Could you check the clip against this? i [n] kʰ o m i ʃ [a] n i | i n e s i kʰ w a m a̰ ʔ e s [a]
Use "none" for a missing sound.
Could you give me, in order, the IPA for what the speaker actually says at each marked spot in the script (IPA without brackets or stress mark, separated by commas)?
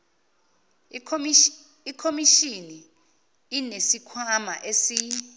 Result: none, i, i